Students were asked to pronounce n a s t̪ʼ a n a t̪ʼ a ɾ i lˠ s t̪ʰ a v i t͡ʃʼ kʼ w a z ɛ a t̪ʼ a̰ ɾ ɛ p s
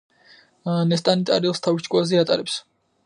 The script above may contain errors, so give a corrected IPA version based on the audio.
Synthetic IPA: n ɛ s t̪ʼ a n i t̪ʼ a ɾ i lˠ s t̪ʰ a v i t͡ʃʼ kʼ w a z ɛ a t̪ʼ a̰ ɾ ɛ p s